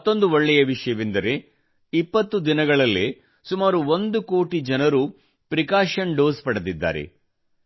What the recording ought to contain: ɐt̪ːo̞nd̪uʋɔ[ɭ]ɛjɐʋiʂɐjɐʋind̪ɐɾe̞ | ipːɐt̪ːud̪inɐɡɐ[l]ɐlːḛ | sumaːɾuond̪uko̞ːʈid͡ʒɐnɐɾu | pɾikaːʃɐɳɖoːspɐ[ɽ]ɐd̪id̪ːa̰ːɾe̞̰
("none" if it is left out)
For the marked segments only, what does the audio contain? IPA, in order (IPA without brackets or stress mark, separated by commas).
ɭː, ɭ, ɽ